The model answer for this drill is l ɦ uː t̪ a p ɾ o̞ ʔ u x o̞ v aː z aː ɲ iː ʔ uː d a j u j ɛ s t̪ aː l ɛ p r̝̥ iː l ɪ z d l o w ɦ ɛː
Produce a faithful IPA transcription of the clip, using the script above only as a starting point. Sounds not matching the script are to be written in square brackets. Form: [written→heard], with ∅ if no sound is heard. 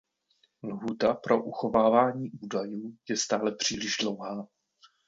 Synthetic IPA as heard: l ɦ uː t̪ a p ɾ o̞ ʔ u x o̞ v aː [z→v] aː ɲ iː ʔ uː d a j [u→uː] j ɛ s t̪ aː l ɛ p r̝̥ iː l ɪ [z→ʒ] d l o w ɦ [ɛː→aː]